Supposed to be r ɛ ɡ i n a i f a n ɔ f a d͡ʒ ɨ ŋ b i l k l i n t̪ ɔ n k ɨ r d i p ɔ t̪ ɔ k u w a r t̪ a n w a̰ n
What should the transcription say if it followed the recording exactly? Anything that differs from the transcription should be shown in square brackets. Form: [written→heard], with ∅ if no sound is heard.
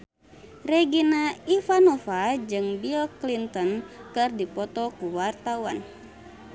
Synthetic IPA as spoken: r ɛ ɡ i n a i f a n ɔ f a d͡ʒ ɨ ŋ b i l k l i n t̪ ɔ n k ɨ r d i p ɔ t̪ ɔ k u w a r t̪ a [n→∅] w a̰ n